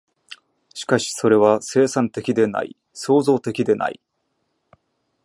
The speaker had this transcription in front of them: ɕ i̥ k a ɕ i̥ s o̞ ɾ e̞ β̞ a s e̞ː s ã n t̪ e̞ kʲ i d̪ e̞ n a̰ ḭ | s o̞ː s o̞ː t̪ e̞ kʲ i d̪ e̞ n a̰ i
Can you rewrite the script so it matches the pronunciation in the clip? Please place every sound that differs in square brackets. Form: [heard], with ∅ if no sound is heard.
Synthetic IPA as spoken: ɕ i̥ k a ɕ i̥ s o̞ ɾ e̞ β̞ a s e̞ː s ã n t̪ e̞ kʲ i d̪ e̞ n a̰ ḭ | s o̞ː [z] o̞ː t̪ e̞ kʲ i d̪ e̞ n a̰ i